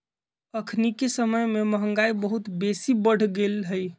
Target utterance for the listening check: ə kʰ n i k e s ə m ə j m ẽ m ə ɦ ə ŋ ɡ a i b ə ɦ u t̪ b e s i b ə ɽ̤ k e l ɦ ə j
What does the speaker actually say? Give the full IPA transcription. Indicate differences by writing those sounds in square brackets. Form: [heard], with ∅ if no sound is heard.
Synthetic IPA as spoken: ə kʰ n i k e s ə m ə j m [e] m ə ɦ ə ŋ ɡ a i b ə ɦ u t̪ b e s i b ə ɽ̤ [ɡ] e l ɦ ə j